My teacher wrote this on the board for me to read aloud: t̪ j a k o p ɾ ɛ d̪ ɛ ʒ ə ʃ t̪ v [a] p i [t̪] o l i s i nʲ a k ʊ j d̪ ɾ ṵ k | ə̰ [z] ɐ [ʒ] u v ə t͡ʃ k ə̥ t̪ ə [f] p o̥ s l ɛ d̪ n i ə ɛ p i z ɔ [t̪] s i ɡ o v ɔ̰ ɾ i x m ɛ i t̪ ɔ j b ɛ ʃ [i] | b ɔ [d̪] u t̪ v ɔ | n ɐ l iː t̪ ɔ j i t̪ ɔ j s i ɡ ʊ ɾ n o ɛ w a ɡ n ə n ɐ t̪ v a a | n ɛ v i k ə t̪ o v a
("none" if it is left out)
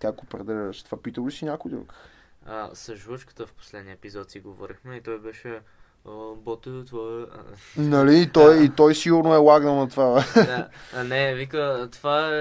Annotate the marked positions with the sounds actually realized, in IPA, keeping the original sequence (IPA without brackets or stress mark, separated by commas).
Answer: a, t̪, s, ʒ, f, t̪, ɛ, t̪